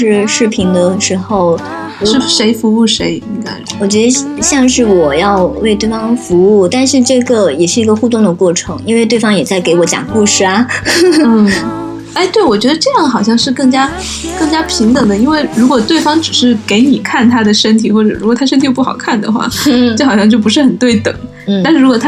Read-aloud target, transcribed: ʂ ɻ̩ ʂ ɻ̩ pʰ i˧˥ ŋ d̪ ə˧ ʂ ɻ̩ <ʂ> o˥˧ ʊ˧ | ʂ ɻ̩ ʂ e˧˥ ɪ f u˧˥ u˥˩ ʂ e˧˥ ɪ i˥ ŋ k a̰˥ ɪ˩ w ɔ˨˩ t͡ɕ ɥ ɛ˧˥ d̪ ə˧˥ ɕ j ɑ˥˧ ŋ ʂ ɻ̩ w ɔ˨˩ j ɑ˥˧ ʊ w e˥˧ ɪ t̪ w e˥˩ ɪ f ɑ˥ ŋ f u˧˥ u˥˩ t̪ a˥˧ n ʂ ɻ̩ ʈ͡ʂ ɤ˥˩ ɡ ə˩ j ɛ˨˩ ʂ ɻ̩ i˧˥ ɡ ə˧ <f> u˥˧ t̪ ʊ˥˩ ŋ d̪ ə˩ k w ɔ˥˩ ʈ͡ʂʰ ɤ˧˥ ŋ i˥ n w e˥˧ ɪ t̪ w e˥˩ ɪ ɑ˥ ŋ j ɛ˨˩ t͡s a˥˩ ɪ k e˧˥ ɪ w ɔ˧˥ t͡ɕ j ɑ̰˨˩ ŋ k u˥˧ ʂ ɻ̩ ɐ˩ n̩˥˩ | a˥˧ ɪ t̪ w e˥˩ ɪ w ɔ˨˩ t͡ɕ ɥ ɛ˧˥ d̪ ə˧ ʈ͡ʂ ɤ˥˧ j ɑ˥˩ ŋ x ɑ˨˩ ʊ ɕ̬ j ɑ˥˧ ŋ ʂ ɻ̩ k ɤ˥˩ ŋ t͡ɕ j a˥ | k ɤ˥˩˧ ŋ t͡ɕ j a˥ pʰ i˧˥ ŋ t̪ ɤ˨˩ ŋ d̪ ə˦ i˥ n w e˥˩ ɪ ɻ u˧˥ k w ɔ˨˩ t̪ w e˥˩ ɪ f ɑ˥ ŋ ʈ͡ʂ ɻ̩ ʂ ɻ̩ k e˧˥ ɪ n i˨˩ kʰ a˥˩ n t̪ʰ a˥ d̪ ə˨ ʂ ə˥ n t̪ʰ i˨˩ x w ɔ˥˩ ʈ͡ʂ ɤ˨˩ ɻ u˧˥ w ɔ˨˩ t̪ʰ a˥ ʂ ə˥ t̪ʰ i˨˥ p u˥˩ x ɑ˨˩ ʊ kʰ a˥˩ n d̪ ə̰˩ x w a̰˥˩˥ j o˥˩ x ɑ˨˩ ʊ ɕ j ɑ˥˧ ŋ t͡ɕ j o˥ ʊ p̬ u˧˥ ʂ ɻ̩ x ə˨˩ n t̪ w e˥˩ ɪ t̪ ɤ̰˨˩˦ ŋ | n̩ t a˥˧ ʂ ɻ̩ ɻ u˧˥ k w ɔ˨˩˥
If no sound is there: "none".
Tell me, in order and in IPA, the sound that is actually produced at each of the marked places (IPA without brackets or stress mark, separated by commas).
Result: x, x